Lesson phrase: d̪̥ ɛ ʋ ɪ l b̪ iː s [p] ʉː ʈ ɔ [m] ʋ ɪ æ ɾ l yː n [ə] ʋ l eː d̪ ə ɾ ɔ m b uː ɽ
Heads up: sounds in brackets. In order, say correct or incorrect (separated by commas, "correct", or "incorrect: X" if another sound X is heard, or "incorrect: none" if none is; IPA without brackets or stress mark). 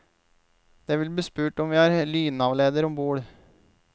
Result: correct, correct, incorrect: ɑ